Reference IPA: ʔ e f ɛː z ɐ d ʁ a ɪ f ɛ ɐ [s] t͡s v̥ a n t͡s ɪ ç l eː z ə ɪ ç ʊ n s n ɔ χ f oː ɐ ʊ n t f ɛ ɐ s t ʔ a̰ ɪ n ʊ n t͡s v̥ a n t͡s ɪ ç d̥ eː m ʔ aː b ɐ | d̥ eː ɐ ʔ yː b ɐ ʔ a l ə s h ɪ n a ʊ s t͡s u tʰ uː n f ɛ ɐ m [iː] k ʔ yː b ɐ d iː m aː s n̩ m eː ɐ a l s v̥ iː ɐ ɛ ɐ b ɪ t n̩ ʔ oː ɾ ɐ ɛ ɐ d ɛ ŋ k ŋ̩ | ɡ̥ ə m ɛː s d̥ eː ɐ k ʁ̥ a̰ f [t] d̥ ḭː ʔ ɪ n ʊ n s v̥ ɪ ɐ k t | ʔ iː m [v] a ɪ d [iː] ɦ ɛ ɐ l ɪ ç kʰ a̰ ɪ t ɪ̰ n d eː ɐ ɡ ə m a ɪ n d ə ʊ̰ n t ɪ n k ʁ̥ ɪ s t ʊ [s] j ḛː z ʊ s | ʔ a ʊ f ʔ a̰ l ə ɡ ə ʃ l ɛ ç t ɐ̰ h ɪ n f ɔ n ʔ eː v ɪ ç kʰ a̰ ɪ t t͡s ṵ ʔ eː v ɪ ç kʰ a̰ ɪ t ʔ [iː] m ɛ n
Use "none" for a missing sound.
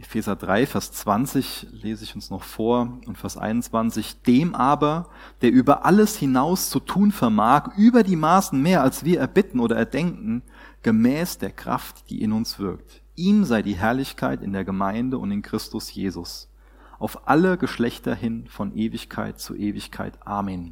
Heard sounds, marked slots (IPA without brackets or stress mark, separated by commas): s, aː, t, z, iː, s, aː